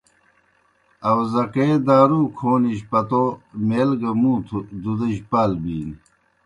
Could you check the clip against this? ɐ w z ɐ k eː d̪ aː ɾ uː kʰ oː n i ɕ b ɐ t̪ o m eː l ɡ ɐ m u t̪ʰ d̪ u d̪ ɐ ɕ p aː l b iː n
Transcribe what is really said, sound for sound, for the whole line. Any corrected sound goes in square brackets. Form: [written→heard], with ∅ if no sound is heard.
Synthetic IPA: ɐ w z ɐ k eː d̪ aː ɾ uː kʰ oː n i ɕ [b→p] ɐ t̪ o m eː l ɡ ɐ m u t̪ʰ d̪ u d̪ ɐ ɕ p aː l b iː n